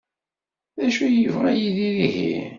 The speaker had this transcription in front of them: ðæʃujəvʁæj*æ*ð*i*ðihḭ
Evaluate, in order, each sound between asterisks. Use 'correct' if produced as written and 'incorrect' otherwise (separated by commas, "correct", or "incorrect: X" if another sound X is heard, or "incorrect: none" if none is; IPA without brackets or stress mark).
incorrect: i, correct